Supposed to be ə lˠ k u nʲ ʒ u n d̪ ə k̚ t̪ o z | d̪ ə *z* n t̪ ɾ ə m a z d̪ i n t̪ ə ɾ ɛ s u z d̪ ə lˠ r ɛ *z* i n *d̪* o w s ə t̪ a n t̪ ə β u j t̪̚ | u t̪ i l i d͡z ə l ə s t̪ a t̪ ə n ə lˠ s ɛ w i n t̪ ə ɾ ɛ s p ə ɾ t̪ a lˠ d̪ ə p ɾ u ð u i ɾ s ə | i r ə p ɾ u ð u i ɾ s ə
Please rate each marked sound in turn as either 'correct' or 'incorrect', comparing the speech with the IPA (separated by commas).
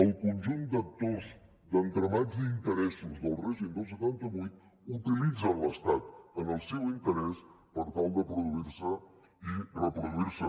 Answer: incorrect, incorrect, correct